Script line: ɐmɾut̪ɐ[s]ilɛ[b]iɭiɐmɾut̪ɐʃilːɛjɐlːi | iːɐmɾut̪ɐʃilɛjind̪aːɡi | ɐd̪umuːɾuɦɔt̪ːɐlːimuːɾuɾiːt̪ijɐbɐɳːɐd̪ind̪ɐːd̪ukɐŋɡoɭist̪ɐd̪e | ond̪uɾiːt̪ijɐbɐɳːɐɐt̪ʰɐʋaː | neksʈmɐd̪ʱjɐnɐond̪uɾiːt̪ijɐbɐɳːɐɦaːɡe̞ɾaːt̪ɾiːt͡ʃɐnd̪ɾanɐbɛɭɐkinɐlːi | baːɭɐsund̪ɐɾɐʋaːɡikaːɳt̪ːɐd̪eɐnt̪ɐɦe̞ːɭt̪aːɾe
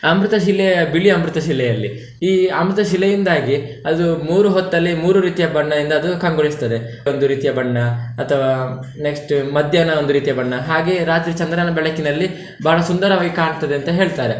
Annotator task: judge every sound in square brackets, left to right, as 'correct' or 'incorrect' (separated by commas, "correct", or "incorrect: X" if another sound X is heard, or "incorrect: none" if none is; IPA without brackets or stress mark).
incorrect: ʃ, correct